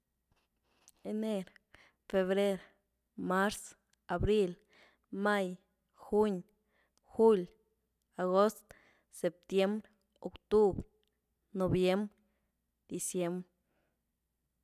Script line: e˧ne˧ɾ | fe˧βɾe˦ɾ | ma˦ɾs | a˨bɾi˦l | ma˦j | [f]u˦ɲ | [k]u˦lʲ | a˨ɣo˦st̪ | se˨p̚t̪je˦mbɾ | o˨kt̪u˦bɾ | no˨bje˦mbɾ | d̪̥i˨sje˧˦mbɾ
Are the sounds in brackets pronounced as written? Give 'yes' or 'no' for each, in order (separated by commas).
no, no